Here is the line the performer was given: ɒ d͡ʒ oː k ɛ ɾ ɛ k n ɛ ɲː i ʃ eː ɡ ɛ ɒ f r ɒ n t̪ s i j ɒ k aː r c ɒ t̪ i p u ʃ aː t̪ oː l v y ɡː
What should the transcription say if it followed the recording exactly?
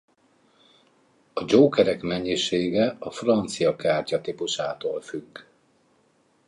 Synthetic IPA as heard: ɒ d͡ʒ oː k ɛ ɾ ɛ k m ɛ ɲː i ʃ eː ɡ ɛ ɒ f r ɒ n t̪ s i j ɒ k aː r c ɒ t̪ i p u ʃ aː t̪ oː l f y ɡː